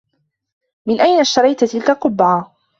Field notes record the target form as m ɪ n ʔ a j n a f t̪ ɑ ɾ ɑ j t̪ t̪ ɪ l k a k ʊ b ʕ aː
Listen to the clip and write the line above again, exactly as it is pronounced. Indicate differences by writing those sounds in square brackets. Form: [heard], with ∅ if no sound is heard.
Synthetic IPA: m ɪ n ʔ a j n a [ʃ] t̪ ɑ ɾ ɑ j t̪ t̪ ɪ l k a [q] ʊ b ʕ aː